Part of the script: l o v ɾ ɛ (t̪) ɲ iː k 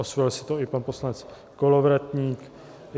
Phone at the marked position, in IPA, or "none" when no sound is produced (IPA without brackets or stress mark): t̪